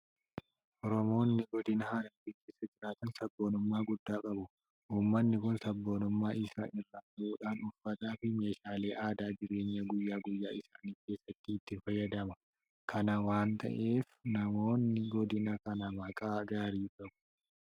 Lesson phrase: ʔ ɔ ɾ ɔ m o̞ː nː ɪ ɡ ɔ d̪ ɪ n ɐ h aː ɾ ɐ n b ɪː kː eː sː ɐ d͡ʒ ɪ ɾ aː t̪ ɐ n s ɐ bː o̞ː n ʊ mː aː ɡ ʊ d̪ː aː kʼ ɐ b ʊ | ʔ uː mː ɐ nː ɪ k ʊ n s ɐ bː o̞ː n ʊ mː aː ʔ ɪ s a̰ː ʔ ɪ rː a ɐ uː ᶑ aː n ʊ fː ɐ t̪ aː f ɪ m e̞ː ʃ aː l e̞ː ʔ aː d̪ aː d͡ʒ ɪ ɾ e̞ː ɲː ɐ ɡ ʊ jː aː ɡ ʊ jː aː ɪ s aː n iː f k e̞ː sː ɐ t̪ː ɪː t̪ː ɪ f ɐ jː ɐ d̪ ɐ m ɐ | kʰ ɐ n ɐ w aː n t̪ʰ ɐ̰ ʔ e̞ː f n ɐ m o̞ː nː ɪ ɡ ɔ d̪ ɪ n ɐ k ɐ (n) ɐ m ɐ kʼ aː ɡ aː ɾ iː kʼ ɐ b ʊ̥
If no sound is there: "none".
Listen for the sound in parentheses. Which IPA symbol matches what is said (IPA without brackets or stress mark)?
n